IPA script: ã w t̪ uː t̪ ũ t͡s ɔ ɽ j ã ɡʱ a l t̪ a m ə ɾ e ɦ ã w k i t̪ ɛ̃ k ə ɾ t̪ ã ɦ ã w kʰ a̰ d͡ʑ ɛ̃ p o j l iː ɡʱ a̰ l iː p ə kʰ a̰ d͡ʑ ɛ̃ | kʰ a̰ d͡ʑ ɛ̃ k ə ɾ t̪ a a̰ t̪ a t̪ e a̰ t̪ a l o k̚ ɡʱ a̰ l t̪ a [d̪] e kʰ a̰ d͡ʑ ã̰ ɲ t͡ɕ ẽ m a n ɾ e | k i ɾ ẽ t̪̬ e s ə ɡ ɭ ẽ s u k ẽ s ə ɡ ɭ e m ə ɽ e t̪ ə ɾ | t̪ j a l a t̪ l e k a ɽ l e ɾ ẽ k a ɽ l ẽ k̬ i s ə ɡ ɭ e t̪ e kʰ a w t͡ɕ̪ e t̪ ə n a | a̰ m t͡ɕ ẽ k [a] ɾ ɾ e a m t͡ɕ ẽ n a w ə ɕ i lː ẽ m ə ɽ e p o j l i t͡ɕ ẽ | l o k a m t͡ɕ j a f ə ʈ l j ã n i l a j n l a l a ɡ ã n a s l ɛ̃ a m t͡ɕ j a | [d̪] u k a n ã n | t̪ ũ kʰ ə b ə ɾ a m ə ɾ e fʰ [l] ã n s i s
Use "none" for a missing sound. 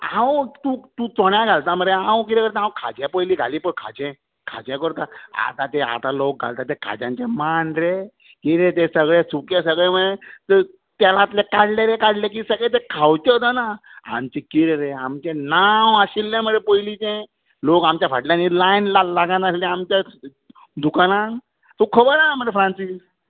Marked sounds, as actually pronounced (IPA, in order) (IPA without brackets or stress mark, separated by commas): t̪, i, d̪, ɾ